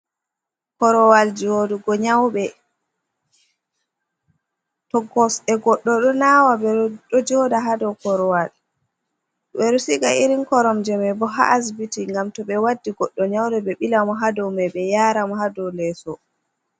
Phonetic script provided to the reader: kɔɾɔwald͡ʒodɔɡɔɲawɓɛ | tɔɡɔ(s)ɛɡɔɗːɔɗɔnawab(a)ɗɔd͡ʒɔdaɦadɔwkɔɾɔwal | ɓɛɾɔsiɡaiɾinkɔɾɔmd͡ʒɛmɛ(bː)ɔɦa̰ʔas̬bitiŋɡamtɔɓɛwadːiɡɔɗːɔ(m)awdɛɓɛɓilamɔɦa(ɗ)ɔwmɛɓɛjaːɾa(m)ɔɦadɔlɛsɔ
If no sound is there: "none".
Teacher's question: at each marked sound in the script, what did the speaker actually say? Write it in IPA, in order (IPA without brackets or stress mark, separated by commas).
s, ɛ, b, ɲ, d, m